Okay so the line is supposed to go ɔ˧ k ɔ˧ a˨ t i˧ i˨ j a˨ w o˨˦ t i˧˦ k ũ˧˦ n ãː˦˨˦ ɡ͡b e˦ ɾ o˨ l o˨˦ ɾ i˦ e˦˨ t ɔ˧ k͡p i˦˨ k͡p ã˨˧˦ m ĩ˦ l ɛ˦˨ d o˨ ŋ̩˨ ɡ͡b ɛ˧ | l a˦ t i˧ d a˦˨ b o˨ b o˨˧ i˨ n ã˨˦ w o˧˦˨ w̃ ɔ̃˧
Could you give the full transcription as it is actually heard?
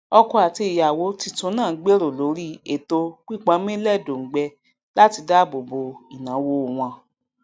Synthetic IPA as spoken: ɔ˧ k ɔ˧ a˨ t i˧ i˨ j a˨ w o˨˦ t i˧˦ t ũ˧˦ n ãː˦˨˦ ɡ͡b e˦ ɾ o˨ l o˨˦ ɾ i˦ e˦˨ t o˧ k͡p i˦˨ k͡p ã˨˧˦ m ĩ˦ l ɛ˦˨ d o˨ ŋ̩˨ ɡ͡b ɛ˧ | l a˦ t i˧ d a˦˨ b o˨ b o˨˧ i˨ n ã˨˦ w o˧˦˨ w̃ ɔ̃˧